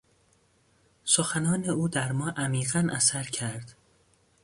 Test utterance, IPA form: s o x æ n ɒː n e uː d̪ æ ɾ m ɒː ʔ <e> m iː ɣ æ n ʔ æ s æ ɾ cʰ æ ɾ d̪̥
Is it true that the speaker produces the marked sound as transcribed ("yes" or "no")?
no